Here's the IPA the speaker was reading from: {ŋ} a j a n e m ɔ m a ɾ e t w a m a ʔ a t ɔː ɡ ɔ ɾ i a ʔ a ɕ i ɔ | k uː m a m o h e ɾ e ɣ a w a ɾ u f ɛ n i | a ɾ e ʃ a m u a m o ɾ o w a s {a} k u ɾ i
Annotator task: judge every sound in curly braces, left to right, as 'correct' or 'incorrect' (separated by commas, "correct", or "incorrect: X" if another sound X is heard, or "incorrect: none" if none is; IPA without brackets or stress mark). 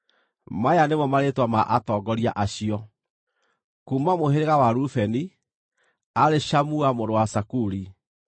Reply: incorrect: m, correct